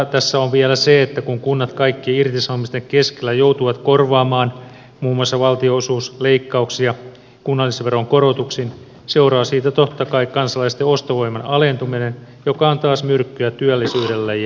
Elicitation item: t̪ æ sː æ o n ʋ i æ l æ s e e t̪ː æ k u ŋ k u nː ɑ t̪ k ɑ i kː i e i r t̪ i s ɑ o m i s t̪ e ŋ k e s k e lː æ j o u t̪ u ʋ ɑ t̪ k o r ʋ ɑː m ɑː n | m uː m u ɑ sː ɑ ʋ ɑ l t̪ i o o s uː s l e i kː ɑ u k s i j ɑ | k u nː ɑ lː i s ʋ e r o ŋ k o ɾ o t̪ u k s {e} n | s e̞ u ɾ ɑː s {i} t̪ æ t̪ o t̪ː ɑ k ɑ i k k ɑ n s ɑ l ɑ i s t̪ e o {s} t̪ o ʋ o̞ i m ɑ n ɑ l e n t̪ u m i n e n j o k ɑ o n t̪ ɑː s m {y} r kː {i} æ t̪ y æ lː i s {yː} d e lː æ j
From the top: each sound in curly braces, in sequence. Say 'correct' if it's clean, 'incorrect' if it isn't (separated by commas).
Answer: incorrect, incorrect, correct, correct, incorrect, correct